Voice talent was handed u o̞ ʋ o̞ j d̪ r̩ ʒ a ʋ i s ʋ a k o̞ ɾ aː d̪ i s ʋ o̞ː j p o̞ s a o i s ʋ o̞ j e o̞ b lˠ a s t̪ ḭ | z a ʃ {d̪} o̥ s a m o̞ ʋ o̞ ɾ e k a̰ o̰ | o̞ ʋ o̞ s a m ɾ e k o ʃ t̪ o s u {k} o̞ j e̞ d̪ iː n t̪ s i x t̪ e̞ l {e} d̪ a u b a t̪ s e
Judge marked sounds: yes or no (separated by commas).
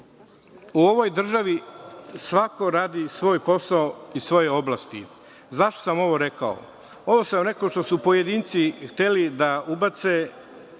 no, no, no